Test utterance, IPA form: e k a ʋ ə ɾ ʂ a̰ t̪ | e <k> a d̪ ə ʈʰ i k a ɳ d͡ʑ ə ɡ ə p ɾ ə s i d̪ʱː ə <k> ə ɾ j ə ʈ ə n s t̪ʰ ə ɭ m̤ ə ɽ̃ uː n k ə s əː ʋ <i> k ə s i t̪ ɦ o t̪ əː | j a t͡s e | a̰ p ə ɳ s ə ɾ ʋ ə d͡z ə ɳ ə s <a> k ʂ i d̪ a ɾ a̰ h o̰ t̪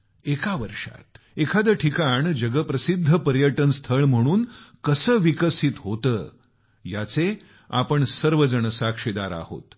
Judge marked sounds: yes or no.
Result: no, no, yes, yes

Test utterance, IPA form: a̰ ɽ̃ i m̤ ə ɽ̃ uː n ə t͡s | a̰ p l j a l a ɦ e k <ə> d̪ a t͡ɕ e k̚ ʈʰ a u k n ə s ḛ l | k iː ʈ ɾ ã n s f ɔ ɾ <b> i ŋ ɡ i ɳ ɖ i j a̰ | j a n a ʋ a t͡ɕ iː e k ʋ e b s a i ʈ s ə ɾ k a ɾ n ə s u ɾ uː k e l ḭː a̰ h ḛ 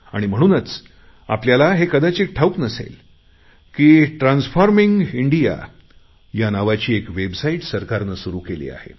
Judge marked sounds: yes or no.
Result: yes, no

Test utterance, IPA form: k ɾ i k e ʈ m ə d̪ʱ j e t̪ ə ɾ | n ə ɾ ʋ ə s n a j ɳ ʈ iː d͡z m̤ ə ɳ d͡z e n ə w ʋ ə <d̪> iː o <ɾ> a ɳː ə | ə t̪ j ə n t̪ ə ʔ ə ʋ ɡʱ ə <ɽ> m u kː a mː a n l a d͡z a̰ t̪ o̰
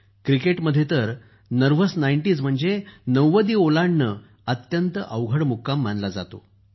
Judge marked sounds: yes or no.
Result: yes, no, yes

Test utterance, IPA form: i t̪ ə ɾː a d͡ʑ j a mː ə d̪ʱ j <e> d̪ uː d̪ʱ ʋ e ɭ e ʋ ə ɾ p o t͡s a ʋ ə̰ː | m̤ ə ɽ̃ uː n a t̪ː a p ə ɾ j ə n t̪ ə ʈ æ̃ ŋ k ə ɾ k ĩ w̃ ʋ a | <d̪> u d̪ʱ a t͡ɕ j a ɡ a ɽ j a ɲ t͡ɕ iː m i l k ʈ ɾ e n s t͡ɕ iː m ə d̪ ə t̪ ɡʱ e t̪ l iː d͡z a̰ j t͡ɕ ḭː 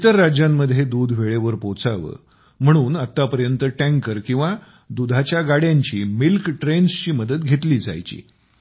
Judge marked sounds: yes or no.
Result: yes, yes

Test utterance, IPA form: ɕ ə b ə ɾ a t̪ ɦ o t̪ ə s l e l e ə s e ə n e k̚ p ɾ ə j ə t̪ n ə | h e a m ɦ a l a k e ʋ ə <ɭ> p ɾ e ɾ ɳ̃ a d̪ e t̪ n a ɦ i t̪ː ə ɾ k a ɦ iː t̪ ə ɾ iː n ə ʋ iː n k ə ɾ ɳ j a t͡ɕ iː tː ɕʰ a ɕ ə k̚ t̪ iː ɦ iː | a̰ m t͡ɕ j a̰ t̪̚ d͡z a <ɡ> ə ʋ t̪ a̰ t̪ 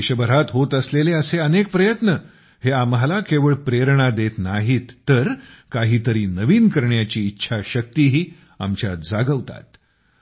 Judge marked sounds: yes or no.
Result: yes, yes

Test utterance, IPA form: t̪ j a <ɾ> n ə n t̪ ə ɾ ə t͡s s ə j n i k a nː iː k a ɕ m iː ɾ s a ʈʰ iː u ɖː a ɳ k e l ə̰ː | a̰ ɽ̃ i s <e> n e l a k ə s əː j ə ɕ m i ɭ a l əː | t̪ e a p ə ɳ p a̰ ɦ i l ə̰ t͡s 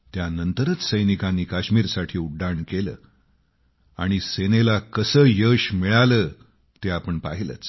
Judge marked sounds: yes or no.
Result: no, yes

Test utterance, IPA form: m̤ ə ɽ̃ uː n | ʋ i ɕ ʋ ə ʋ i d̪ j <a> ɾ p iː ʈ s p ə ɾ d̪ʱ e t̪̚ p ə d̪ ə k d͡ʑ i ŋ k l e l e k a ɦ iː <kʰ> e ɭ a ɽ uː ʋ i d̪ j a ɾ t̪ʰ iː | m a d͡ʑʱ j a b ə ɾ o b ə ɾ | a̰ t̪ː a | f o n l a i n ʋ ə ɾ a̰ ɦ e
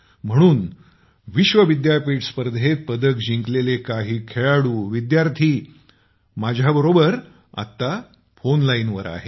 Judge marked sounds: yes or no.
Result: yes, yes

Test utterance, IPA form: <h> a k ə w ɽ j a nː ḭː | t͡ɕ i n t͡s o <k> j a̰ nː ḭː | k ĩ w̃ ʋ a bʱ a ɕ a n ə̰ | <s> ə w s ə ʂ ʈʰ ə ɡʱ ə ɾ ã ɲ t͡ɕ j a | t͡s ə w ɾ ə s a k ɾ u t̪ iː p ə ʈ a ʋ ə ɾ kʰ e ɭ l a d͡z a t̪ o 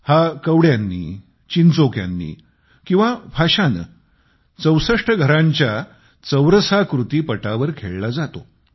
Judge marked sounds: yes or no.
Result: yes, yes, no

